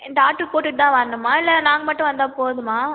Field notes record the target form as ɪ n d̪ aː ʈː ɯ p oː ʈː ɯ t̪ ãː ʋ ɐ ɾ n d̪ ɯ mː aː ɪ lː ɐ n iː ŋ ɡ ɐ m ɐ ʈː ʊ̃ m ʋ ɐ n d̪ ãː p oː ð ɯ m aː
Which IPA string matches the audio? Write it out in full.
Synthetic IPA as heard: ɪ n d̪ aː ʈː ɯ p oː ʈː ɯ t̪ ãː ʋ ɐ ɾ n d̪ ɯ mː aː ɪ lː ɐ n aː ŋ ɡ ɐ m ɐ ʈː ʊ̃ ʋ ɐ n d̪ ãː p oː ð ɯ m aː